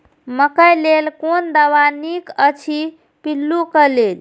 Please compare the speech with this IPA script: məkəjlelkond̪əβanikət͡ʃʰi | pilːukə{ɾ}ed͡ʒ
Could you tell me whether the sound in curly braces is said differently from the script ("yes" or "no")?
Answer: yes